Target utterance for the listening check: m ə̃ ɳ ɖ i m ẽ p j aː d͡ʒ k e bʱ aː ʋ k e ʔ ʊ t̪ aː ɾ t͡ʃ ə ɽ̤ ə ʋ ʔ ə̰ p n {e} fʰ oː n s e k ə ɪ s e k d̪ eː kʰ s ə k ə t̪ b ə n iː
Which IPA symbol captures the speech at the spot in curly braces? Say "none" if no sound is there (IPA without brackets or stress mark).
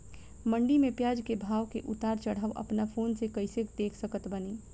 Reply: a